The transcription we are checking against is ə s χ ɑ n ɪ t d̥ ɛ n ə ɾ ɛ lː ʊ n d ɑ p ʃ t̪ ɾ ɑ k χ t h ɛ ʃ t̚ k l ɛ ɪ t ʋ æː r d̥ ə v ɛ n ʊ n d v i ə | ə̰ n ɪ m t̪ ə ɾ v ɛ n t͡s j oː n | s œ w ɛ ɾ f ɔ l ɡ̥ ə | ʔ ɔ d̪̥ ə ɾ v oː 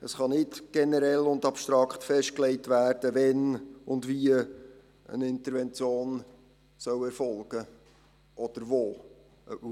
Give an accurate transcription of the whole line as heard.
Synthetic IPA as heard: ə s χ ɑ n ɪ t ɡ̥ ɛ n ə ɾ ɛ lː ʊ n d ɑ p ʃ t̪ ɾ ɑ k χ t f ɛ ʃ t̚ k l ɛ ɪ t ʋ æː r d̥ ə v ɛ n ʊ n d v i ə | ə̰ n ɪ n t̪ ə ɾ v ɛ n t͡s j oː n | s œ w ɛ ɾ f ɔ l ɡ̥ ə | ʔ ɔ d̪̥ ə ɾ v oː